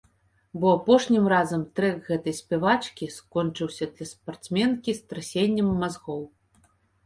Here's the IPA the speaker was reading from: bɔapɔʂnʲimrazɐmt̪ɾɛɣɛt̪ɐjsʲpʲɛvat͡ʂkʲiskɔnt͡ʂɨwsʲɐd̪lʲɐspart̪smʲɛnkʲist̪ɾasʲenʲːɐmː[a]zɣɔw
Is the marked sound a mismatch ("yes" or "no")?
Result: no